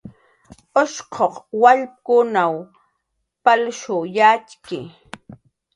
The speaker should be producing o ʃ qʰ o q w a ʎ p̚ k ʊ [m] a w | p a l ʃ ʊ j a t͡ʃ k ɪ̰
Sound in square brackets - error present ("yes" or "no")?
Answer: yes